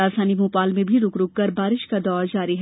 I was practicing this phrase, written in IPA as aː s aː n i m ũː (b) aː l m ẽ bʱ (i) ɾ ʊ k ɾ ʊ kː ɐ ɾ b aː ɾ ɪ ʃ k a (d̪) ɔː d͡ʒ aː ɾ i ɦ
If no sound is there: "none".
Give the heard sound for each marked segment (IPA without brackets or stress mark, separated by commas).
p, i, d̪